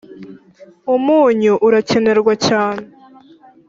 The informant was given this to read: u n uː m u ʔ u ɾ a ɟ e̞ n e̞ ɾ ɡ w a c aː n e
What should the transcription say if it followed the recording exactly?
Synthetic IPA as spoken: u m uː ɲ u ʔ u ɾ a c e̞ n e̞ ɾ ɡ w a c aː n e